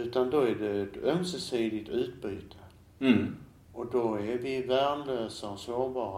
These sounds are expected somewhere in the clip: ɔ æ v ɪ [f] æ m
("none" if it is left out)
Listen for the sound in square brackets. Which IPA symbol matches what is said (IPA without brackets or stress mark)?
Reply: v